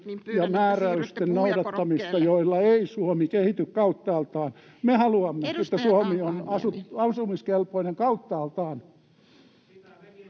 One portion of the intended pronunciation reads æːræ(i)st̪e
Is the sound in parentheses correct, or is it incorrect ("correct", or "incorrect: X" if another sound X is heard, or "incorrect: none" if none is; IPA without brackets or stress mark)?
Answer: incorrect: y